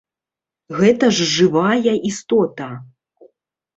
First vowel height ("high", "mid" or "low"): mid